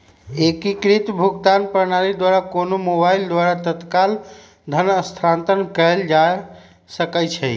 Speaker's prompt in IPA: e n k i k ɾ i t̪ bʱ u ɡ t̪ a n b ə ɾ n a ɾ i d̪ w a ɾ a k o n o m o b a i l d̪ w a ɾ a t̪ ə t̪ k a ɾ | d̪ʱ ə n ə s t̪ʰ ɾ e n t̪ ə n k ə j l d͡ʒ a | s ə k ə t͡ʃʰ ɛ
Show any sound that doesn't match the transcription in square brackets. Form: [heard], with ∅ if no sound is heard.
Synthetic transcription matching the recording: e [∅] k i k ɾ i t̪ bʱ u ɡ t̪ a n [p] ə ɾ n a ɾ i d̪ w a ɾ a k o n o m o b a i l d̪ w a ɾ a t̪ ə t̪ k a [l] | d̪ʱ ə n ə s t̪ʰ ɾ [a] n t̪ ə n k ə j l d͡ʒ a | s ə k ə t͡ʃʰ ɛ